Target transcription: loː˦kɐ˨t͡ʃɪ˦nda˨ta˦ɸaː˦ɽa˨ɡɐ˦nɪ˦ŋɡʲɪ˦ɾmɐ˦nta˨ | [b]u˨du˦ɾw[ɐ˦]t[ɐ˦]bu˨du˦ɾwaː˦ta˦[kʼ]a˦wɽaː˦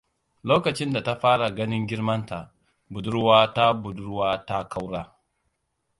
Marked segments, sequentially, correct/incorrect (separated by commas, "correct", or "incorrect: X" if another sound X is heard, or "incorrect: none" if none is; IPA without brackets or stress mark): correct, incorrect: a˦, incorrect: a˦, incorrect: k